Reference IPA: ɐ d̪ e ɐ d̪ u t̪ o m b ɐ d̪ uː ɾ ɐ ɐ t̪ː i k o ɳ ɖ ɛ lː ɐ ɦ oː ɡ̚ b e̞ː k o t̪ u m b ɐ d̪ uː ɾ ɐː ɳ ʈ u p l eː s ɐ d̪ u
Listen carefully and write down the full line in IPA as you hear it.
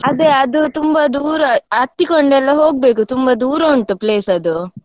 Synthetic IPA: ɐ d̪ e ɐ d̪ u t̪ u m b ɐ d̪ uː ɾ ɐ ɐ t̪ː i k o ɳ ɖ ɛ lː ɐ ɦ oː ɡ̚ b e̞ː k u t̪ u m b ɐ d̪ uː ɾ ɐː ɳ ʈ u p l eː s ɐ d̪ u

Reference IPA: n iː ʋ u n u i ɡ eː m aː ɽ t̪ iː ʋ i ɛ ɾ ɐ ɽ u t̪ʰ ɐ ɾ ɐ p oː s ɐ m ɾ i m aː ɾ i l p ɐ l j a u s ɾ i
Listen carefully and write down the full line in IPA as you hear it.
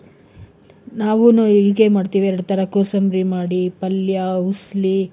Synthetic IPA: n aː ʋ u n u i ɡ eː m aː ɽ t̪ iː ʋ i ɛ ɾ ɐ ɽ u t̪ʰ ɐ ɾ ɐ k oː s ɐ m ɾ i m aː ɽ i p ɐ l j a u s l i

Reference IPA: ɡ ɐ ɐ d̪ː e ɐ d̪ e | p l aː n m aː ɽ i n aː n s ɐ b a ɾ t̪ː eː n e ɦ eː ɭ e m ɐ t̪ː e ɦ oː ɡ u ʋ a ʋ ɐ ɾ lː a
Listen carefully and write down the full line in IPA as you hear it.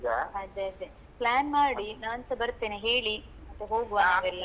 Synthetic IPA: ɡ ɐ ɐ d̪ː e ɐ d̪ e | p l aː n m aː ɽ i n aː n s ɐ b ɐ ɾ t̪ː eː n e ɦ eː ɭ i m ɐ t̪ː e ɦ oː ɡ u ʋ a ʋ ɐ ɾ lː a

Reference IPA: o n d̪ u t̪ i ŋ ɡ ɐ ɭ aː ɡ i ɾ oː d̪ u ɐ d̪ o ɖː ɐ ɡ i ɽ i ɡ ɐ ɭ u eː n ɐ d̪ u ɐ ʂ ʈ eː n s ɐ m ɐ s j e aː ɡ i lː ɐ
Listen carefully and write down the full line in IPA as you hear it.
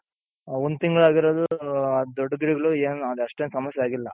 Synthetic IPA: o n d̪ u t̪ i ŋ ɡ ɐ ɭ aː ɡ i ɾ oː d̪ u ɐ d̪ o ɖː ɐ ɡ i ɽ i ɡ ɐ ɭ u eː n ɐ d̪ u ɐ ʂ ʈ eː n s ɐ m ɐ s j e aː ɡ i lː ɐ

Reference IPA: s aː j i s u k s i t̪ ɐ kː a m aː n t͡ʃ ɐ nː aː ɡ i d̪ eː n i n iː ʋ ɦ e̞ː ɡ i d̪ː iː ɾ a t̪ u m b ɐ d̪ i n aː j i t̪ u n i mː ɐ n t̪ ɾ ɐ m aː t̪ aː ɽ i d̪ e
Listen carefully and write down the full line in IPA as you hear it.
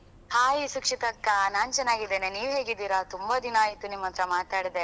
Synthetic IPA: h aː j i s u k ʂ i t̪ ɐ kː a n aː n t͡ʃ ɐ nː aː ɡ i d̪ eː n e n iː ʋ ɦ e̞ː ɡ i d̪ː iː ɾ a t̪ u m b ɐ d̪ i n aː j i t̪ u n i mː ɐ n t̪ ɾ ɐ m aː t̪ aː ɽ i d̪ e

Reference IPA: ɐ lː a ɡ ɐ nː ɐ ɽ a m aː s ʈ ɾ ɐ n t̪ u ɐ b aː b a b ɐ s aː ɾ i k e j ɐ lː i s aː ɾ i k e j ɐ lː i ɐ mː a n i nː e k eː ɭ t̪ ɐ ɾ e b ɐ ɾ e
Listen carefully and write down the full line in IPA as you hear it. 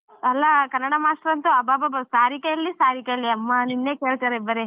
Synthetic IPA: ɐ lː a k ɐ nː ɐ ɽ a m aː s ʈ ɾ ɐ n t̪ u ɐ b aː b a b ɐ s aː ɾ i k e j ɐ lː i s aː ɾ i k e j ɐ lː i ɐ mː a n i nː e k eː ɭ t̪ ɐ ɾ e b ɐ ɾ e

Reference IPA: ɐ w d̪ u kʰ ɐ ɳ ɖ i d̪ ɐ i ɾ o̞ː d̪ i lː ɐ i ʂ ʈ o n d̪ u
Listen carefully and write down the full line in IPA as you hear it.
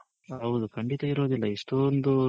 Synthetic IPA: ɐ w d̪ u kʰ ɐ ɳ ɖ i t̪ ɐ i ɾ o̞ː d̪ i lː ɐ i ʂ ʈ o n d̪ u

